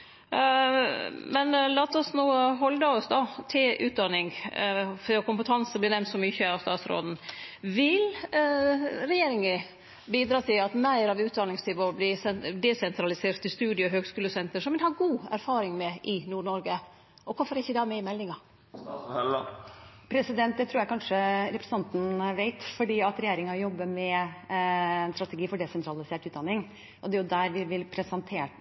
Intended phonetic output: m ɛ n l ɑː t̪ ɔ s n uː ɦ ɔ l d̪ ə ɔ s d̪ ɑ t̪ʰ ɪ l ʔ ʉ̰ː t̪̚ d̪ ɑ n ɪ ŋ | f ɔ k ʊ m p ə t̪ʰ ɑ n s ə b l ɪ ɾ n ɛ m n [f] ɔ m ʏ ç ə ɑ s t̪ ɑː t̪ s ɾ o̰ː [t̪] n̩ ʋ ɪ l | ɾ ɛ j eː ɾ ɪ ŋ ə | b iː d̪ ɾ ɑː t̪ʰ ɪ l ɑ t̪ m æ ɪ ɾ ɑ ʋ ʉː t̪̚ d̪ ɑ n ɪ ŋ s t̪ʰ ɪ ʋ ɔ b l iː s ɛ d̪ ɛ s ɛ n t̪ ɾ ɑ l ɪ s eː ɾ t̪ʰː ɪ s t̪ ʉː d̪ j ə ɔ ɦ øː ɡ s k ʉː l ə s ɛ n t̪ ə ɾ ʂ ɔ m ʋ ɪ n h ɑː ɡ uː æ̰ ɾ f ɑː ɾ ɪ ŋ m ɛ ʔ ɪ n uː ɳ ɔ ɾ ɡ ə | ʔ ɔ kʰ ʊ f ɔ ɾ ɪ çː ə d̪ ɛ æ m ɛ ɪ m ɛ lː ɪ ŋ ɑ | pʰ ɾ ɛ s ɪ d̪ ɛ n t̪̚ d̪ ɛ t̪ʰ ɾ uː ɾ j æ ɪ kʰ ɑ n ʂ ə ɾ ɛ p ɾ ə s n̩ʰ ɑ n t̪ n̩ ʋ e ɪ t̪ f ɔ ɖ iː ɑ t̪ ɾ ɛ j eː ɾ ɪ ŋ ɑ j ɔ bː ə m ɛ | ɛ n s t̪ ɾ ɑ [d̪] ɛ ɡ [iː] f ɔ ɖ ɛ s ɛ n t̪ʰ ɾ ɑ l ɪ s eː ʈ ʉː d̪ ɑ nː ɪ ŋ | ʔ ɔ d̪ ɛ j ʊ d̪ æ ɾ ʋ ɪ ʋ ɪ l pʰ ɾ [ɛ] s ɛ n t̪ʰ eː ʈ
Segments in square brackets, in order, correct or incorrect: incorrect: s, incorrect: d̪, incorrect: t̪, correct, correct

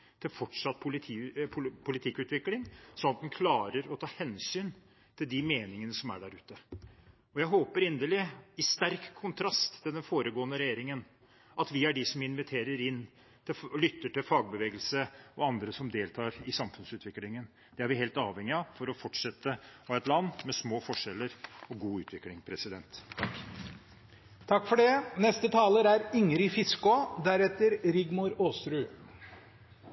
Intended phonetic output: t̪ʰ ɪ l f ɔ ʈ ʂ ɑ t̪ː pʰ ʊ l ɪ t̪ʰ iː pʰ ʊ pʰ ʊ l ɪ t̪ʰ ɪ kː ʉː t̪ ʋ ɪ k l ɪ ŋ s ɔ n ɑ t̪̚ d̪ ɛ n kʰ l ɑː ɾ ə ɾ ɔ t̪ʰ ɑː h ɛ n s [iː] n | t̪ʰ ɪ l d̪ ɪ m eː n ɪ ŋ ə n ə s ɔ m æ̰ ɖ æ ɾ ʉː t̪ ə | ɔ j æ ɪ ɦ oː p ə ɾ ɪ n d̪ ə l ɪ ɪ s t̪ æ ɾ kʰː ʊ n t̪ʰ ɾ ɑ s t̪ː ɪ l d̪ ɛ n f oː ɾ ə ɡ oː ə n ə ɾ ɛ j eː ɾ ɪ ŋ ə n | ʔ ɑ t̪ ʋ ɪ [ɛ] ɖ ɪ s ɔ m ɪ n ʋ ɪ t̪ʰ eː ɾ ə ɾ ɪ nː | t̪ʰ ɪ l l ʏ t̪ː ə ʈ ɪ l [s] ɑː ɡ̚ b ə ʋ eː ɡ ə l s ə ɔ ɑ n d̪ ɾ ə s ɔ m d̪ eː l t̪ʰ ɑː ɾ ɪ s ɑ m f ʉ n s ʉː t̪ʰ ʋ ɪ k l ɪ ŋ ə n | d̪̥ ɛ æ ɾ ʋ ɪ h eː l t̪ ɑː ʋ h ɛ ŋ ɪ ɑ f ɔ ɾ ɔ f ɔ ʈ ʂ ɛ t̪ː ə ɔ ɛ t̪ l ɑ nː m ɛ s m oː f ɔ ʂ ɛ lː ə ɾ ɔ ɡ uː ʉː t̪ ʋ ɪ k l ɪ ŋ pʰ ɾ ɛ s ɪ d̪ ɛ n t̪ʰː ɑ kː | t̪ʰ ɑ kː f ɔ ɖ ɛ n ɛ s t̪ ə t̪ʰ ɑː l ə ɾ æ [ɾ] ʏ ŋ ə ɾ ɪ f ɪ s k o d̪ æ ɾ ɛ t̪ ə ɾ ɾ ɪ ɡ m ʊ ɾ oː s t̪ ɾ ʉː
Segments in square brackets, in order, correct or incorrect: incorrect: yː, incorrect: æ, incorrect: f, correct

